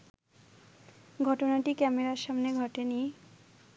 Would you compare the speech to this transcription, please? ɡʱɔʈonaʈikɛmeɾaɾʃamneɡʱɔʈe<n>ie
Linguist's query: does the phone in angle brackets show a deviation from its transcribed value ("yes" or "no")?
no